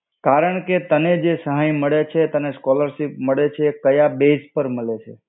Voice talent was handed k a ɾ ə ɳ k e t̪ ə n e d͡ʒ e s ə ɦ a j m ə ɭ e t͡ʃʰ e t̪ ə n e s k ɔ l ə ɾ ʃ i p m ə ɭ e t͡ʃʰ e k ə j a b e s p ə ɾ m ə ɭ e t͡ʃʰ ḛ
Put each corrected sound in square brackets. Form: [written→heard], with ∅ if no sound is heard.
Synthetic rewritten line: k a ɾ ə ɳ k e t̪ ə n e d͡ʒ e s ə ɦ a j m ə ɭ e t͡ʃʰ e t̪ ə n e s k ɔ l ə ɾ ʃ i p m ə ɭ e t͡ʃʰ e k ə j a b e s p ə ɾ m ə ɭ e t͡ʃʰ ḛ

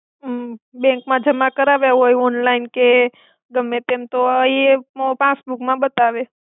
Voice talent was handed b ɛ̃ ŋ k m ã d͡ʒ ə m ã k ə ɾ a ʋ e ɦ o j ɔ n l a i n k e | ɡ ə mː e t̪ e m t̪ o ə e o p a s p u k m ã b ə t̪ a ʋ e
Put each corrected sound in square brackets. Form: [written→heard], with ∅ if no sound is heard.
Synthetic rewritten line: b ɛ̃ ŋ k m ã d͡ʒ ə m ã k ə ɾ a ʋ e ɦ o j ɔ n l a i n k e | ɡ ə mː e t̪ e m t̪ o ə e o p a s [p→b] u k m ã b ə t̪ a ʋ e

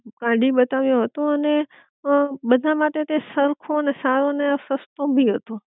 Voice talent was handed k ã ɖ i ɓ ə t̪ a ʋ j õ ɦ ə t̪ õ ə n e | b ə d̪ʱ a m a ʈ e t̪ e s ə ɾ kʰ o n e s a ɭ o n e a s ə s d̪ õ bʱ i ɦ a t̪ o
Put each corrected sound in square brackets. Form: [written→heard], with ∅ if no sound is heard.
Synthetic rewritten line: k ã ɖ i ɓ ə t̪ a ʋ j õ ɦ ə t̪ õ ə n e | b ə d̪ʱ a m a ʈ e t̪ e s ə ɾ kʰ o n e s a [ɭ→ɾ] o n e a s ə s [d̪→t̪] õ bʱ i ɦ [a→ə] t̪ o

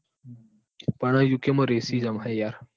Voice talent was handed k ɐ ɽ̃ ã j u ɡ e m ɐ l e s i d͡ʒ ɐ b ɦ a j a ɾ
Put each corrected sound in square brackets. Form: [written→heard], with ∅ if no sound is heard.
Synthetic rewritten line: [k→p] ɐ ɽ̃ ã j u [ɡ→k] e m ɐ [l→ɾ] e s i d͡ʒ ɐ [b→m] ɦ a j a ɾ

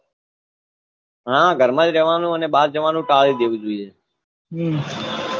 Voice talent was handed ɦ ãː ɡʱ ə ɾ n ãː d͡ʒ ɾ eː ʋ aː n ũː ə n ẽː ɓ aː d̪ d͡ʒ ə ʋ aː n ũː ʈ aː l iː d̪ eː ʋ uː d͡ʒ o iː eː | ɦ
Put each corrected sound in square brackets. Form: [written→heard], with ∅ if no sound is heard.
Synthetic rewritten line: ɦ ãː ɡʱ ə ɾ [n→m] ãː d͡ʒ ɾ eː ʋ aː n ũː ə n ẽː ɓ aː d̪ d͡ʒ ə ʋ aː n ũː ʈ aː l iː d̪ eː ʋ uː d͡ʒ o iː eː | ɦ

